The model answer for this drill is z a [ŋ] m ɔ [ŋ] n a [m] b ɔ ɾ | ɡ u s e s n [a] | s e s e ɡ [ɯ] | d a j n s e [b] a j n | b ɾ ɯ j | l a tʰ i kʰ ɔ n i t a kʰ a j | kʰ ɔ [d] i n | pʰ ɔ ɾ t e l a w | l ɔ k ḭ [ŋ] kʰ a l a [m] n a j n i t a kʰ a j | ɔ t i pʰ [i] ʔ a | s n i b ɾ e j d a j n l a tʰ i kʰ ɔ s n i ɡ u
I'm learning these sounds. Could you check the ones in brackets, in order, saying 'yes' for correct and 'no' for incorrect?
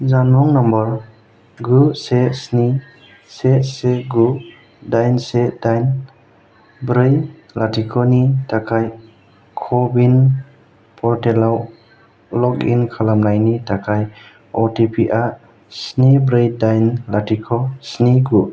no, yes, yes, no, no, no, no, no, yes, yes

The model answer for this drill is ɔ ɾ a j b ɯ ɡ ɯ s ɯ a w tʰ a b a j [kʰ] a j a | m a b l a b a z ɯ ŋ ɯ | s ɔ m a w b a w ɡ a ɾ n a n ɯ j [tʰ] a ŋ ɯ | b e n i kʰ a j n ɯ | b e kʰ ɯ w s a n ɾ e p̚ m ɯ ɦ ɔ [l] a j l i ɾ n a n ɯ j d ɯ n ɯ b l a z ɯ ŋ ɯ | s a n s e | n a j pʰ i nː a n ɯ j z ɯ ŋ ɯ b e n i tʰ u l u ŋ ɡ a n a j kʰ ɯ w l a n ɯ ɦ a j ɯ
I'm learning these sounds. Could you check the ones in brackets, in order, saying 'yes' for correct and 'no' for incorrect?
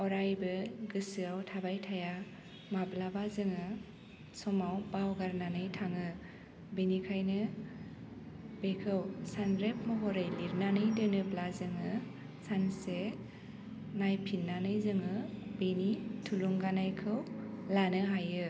no, yes, no

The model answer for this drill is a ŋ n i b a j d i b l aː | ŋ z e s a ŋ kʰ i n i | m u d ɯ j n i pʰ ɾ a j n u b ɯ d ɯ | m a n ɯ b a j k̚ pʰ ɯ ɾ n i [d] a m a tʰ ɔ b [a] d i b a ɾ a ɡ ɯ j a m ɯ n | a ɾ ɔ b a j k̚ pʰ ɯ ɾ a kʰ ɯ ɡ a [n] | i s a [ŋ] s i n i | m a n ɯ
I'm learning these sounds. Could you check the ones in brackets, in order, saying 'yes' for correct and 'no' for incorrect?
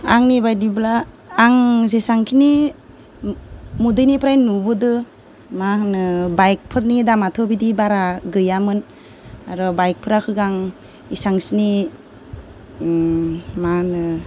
yes, no, no, yes

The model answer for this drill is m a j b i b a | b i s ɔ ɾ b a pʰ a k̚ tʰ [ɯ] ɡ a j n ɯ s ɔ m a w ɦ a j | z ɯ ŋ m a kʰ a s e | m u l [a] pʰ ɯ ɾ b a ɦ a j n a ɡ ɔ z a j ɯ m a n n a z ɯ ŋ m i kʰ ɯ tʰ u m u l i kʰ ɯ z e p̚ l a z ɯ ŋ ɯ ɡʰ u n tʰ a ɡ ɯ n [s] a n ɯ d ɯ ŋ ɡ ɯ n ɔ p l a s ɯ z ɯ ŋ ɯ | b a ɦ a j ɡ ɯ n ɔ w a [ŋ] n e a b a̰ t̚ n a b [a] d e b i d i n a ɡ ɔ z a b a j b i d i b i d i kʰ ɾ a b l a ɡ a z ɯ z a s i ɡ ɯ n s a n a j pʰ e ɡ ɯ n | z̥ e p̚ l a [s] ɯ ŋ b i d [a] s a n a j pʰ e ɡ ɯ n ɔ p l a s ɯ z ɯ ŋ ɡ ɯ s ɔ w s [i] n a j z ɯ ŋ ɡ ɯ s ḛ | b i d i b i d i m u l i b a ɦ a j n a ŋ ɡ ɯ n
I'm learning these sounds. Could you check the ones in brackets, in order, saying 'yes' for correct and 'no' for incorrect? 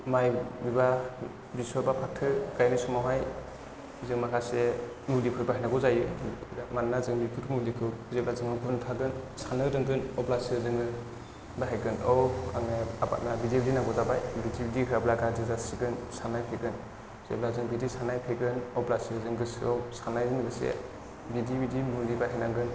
yes, no, yes, yes, no, no, no, no

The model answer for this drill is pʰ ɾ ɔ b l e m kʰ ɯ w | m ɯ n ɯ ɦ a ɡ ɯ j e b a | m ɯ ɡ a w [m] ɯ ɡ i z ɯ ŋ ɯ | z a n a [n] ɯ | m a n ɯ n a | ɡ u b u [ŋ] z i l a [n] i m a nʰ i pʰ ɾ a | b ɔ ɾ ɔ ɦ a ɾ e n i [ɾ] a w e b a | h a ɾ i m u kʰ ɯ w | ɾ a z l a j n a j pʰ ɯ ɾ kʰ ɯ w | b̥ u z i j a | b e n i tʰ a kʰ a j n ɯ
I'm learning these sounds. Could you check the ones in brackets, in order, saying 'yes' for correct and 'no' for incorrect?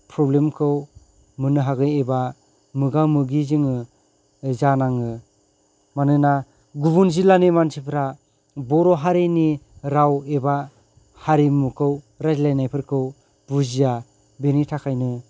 yes, no, no, yes, yes

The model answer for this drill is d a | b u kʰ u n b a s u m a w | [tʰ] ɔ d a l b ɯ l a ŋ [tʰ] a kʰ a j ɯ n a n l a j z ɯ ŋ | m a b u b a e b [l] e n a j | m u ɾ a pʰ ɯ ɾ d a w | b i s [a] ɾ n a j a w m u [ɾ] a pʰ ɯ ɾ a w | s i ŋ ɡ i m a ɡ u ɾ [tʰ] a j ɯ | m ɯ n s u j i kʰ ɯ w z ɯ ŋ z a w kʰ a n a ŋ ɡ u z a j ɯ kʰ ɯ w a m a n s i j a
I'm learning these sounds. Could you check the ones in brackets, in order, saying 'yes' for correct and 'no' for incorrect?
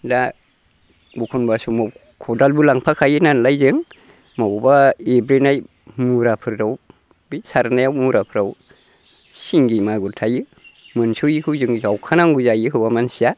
no, no, no, yes, yes, yes

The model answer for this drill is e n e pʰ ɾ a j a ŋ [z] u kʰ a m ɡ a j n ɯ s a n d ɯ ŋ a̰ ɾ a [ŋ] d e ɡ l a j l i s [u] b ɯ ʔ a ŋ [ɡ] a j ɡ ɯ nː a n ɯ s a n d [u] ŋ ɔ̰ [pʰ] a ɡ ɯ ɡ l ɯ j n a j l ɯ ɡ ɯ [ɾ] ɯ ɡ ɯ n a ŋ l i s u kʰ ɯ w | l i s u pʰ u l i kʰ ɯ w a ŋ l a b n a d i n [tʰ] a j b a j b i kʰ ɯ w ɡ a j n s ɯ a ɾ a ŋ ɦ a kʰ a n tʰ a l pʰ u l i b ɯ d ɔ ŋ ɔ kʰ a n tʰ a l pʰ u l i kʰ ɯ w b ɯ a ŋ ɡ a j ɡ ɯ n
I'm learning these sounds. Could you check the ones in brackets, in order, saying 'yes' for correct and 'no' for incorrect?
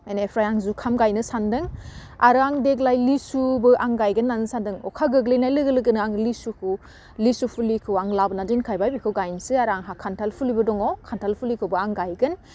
yes, yes, yes, yes, no, no, no, no

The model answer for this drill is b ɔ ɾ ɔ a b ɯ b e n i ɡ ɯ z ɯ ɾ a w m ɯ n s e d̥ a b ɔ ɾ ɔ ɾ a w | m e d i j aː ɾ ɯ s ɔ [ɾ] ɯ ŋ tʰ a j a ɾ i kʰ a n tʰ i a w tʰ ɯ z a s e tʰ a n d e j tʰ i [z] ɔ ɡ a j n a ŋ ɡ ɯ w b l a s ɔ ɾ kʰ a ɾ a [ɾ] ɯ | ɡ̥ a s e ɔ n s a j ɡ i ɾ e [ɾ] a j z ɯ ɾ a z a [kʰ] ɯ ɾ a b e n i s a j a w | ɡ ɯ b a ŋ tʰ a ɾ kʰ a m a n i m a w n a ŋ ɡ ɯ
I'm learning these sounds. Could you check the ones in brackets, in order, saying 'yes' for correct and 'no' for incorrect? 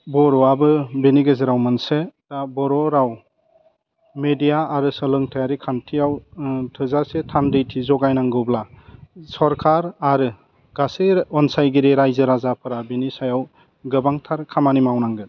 no, yes, yes, yes, no

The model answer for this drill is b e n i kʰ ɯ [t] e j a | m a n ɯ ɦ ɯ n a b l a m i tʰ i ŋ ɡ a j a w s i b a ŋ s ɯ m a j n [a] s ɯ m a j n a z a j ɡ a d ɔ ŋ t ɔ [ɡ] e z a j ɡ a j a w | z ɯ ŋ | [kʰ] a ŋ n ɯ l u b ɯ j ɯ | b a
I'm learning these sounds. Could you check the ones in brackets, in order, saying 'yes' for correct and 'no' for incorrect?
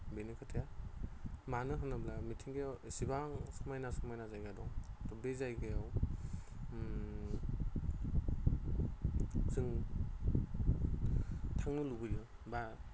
no, yes, no, no

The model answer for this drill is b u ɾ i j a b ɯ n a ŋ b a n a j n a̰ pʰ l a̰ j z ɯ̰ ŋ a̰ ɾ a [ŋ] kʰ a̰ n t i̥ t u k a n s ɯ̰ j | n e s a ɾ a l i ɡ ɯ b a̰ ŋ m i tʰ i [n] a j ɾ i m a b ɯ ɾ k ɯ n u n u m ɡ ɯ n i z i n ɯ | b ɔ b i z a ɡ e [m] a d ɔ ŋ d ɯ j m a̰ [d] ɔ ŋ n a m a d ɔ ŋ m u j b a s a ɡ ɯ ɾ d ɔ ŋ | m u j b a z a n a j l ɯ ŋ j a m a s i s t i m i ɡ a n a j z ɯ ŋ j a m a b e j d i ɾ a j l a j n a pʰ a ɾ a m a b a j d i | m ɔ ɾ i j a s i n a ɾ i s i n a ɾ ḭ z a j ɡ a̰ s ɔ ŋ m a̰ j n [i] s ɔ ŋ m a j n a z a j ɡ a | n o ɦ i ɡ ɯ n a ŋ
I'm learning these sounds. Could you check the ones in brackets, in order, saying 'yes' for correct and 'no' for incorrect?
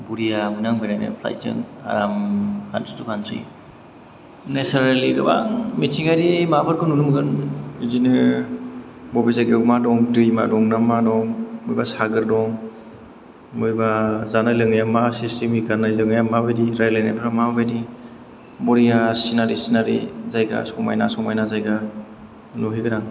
no, no, yes, yes, no

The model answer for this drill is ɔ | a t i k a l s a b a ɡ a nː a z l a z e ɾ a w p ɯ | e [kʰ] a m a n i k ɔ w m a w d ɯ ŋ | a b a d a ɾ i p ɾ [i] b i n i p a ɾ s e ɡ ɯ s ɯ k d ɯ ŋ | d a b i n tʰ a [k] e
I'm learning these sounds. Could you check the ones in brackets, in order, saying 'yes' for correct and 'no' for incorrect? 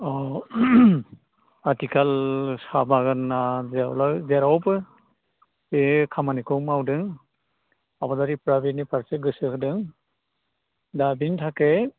yes, no, yes

